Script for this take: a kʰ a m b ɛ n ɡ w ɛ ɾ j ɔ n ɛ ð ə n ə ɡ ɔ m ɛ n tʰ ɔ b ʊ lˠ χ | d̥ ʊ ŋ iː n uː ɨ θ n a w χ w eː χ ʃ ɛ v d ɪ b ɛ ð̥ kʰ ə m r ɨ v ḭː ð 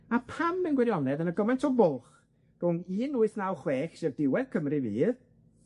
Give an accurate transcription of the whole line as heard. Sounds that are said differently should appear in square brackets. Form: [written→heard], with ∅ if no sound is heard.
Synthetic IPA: a [kʰ→pʰ] a m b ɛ n ɡ w ɛ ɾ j ɔ n ɛ ð ə n ə ɡ ɔ m ɛ n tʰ ɔ b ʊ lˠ χ | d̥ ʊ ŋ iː n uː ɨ θ n a w χ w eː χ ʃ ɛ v d ɪ [b→w] ɛ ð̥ kʰ ə m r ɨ v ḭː ð